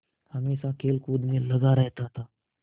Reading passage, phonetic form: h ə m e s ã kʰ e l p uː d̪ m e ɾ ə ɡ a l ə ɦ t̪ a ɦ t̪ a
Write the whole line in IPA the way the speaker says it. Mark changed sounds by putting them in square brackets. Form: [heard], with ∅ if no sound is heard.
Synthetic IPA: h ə m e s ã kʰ e l [k] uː d̪ m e [l] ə ɡ a [ɾ] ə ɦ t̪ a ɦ t̪ a

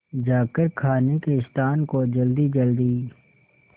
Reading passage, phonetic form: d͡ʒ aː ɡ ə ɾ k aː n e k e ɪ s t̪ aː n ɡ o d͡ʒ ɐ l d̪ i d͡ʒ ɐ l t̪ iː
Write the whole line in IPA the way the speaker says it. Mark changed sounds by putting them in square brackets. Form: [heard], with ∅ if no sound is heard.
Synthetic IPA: d͡ʒ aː [k] ə ɾ [kʰ] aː n e k e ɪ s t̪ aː n [k] o d͡ʒ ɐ l d̪ i d͡ʒ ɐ l [d̪] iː

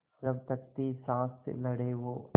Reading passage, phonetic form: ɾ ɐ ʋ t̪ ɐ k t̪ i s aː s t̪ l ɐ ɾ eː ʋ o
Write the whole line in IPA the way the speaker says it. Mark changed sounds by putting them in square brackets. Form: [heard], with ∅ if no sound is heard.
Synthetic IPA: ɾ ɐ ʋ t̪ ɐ k t̪ i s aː s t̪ l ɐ [ɽ] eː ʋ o

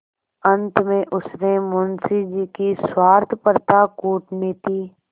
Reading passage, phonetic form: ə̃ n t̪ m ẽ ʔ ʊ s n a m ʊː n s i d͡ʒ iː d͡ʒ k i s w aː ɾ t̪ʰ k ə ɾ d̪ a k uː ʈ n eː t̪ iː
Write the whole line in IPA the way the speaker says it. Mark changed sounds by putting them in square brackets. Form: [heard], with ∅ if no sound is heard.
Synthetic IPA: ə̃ n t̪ m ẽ ʔ ʊ s n [e] m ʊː n s i d͡ʒ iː [∅] k i s w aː ɾ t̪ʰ [p] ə ɾ [t̪] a k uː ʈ n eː t̪ iː

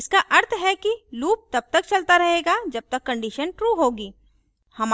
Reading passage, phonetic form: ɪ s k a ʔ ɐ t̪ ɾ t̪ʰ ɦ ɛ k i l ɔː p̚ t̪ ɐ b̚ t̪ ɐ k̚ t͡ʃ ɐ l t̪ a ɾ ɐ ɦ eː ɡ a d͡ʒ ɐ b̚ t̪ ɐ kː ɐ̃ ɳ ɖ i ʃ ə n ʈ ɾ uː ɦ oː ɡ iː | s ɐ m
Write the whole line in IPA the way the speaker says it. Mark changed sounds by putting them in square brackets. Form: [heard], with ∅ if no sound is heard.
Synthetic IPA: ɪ s k a ʔ ɐ [∅] ɾ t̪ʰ ɦ ɛ k i l [uː] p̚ t̪ ɐ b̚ t̪ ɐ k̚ t͡ʃ ɐ l t̪ a ɾ ɐ ɦ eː ɡ a d͡ʒ ɐ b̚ t̪ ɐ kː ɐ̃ ɳ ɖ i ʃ ə n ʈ ɾ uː ɦ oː ɡ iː | [h] ɐ m

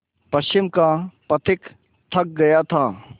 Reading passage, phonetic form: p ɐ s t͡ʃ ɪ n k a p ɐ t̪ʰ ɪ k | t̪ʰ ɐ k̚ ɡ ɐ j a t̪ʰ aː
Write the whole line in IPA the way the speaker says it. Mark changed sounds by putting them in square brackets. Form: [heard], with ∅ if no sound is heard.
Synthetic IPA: p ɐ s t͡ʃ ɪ [m] k a p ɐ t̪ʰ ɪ k | t̪ʰ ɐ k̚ ɡ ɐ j a t̪ʰ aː

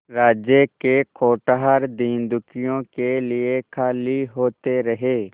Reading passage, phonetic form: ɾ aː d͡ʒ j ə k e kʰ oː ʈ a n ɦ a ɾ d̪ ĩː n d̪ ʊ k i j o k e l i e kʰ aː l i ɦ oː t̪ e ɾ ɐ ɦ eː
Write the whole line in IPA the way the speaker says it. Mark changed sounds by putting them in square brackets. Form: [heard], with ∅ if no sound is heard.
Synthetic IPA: ɾ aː d͡ʒ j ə k e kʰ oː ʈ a [∅] ɦ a ɾ d̪ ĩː n d̪ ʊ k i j [õ] k e l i e kʰ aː l i ɦ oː t̪ e ɾ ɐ ɦ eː

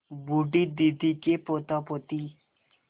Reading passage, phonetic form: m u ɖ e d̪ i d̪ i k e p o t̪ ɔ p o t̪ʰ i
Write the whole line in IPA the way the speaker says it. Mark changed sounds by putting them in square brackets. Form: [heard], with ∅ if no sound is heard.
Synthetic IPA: [b] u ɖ [i] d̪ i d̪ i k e p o t̪ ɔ p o [t̪] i

